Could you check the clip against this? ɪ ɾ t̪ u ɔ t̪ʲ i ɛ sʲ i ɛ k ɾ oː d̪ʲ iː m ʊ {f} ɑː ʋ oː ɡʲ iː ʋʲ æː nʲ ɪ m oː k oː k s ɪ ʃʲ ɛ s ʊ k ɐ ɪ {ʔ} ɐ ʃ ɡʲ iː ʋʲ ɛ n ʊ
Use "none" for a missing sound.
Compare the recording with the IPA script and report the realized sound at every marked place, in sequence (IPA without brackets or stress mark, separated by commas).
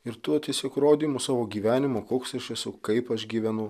s, p